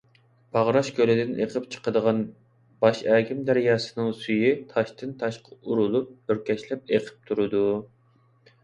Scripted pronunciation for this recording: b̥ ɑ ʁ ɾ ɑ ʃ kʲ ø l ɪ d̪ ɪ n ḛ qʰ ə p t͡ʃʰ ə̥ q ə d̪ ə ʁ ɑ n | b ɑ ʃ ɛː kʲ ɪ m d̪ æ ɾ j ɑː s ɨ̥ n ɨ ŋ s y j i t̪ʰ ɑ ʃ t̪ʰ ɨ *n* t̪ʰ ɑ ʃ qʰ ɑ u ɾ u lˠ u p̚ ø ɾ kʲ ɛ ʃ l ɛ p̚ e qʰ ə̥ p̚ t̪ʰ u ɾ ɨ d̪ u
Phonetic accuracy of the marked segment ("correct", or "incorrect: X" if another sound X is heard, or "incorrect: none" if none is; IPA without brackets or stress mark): correct